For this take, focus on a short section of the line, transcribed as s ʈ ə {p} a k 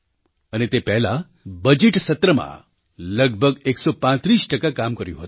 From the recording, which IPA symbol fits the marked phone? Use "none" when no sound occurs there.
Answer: k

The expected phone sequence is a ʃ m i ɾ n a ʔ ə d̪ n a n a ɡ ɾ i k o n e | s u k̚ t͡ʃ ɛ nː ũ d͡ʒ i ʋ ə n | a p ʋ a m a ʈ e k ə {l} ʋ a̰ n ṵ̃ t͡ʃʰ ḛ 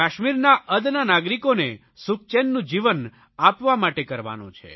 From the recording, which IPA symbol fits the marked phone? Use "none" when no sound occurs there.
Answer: ɾ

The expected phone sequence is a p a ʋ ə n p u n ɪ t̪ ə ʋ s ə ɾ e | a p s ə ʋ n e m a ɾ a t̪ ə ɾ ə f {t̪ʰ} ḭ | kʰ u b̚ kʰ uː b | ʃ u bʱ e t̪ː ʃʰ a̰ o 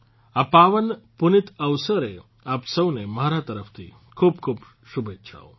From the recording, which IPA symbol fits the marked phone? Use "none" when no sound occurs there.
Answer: t̪ʰ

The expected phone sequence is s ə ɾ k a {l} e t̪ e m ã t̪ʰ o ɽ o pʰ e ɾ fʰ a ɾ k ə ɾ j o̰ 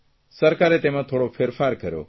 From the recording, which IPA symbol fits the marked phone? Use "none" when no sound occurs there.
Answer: ɾ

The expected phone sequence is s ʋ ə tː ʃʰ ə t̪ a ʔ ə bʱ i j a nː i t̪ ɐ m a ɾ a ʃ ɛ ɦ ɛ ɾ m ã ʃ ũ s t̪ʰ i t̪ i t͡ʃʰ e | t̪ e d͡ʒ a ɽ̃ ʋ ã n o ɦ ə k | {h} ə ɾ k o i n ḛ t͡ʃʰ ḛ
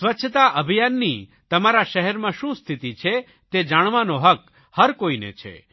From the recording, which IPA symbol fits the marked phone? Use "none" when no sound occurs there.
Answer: h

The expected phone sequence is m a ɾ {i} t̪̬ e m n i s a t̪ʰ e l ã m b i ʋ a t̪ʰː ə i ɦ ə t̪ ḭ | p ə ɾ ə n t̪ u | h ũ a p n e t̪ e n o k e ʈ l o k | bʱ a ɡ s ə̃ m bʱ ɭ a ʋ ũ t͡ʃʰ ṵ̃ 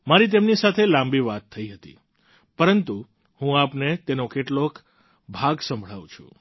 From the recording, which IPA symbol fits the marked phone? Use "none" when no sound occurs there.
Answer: i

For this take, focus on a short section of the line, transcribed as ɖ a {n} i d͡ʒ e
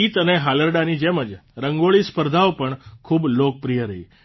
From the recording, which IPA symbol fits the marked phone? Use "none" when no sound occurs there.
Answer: n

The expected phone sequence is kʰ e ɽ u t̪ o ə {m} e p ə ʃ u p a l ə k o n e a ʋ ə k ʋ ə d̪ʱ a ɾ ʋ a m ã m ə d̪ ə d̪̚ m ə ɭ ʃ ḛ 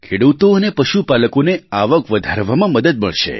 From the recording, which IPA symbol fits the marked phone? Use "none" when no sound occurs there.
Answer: n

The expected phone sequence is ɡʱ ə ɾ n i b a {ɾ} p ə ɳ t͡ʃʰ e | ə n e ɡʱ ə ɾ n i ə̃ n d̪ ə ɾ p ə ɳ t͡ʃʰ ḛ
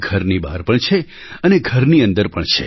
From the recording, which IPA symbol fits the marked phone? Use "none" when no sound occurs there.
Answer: ɾ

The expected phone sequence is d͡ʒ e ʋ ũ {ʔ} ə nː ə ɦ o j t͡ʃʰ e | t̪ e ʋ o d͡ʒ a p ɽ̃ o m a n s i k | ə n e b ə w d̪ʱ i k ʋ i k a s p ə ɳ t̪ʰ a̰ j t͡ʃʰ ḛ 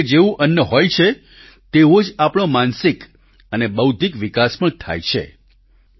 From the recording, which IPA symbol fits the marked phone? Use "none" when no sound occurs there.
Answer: ʔ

